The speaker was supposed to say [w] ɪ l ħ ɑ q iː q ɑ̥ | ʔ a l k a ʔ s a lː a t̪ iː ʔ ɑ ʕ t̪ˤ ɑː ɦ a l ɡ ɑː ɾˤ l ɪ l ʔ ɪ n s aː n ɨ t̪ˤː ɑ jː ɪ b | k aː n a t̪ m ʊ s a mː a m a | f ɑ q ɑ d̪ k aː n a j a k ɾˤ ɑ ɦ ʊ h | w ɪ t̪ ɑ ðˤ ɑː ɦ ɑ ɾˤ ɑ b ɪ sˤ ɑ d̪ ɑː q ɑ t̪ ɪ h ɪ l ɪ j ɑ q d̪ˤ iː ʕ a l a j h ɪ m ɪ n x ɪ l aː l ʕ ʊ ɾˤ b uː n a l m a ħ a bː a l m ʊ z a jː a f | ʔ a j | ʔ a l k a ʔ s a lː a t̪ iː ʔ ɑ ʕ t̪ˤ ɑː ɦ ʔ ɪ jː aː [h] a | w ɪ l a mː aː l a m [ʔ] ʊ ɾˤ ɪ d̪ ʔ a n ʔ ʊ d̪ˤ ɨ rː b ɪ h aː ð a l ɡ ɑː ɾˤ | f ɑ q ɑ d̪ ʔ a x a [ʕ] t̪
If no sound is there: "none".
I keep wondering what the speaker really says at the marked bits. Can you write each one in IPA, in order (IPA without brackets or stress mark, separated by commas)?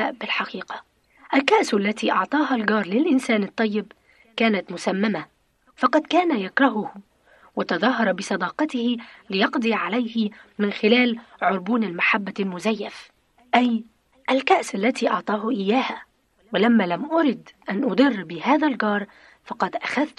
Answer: b, h, ʔ, ð